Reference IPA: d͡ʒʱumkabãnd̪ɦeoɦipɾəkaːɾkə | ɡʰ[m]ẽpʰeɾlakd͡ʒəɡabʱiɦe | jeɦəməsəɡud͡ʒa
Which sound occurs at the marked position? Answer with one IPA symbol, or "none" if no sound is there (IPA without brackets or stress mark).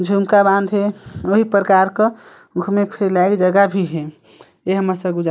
m